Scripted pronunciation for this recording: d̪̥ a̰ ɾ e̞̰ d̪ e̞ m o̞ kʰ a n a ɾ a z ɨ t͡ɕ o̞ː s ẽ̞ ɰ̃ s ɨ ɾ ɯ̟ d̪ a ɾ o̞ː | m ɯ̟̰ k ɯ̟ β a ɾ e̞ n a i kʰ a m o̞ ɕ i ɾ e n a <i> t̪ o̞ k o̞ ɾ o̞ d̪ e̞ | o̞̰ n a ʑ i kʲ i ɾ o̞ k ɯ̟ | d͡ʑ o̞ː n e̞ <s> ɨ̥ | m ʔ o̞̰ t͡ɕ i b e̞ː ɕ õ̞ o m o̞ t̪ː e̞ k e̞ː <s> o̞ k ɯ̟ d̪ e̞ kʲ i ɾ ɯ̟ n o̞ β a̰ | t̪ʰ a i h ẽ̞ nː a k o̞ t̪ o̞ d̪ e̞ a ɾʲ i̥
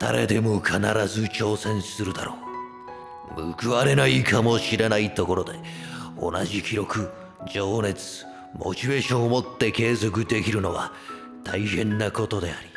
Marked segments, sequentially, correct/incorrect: correct, incorrect: t͡s, incorrect: z

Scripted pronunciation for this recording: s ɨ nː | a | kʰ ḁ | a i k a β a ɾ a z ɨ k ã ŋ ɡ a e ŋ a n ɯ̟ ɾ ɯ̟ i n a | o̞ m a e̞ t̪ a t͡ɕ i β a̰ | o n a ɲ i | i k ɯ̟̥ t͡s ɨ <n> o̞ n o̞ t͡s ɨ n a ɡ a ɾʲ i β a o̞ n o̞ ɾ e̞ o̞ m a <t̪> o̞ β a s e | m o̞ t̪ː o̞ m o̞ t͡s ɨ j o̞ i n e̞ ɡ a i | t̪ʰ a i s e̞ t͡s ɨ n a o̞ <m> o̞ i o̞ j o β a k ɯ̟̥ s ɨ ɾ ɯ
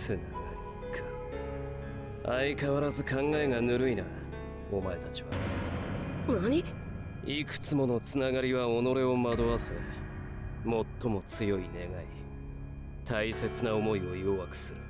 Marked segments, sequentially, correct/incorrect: incorrect: m, incorrect: d̪, correct

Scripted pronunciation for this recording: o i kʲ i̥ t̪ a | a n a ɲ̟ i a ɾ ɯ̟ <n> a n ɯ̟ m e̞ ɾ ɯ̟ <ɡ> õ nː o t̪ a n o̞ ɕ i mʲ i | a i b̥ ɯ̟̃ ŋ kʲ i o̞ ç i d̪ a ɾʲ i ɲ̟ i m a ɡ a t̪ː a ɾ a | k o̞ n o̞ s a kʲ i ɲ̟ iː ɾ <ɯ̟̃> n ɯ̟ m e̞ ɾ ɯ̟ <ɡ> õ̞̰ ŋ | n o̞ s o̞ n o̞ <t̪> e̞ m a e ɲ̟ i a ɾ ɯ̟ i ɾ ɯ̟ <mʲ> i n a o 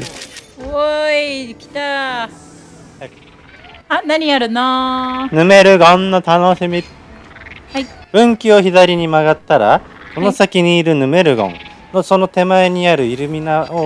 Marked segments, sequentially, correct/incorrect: correct, correct, incorrect: ɯ̟, correct, correct, correct

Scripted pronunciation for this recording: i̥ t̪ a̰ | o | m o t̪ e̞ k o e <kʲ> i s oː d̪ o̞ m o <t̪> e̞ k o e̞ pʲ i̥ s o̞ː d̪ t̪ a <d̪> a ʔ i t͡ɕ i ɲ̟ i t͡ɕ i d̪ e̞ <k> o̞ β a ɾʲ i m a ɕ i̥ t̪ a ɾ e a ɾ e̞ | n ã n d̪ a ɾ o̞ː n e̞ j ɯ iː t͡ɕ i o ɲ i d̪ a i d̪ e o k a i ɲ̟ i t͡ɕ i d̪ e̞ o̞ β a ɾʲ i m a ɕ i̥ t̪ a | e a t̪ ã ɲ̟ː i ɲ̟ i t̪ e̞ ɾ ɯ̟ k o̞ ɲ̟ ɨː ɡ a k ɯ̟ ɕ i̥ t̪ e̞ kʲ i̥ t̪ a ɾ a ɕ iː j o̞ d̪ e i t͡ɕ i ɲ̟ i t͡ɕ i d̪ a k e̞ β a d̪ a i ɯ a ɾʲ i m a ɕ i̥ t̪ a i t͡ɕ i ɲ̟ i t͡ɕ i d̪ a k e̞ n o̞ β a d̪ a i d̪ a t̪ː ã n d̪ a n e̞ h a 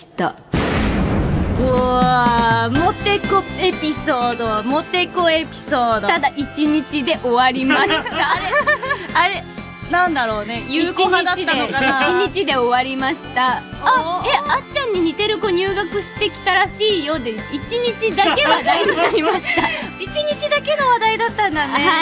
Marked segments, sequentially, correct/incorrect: incorrect: pʲ, correct, correct, incorrect: ʔ

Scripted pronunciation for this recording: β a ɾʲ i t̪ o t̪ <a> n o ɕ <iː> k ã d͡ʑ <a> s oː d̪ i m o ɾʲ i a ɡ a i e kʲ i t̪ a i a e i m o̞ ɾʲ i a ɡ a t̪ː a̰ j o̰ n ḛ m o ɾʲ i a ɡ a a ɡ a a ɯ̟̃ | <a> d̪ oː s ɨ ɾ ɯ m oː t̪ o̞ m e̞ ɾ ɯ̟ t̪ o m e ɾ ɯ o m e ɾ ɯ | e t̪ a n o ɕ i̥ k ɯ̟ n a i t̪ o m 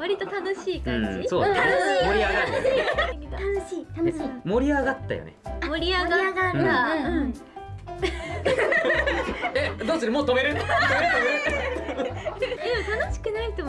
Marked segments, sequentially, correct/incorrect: correct, correct, incorrect: i, incorrect: e

